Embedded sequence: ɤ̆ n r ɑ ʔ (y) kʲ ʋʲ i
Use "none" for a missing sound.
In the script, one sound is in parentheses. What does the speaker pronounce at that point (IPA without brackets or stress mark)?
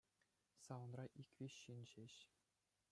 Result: i